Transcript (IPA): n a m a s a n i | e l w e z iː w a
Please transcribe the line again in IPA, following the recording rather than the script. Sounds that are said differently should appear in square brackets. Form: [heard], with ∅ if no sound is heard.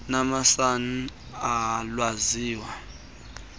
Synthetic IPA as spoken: n a m a s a n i | [a] l w [a] z iː w a